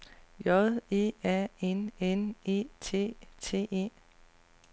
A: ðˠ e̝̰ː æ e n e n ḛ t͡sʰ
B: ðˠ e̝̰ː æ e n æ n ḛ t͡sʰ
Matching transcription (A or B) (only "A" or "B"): A